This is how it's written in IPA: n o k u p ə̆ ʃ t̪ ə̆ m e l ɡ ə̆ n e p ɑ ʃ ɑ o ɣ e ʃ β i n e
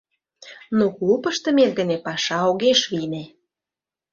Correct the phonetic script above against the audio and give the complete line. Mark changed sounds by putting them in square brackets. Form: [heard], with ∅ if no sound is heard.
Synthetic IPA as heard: n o k u p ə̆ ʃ t̪ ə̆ m e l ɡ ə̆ n e p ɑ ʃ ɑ o ɣ e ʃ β i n e